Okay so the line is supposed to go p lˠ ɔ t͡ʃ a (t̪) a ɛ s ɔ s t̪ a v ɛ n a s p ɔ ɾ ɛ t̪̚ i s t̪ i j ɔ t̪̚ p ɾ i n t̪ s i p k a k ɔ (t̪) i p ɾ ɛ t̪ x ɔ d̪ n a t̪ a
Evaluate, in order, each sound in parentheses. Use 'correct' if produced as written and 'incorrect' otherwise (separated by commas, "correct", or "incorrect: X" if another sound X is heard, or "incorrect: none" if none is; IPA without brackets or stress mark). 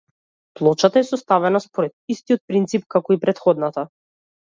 correct, incorrect: none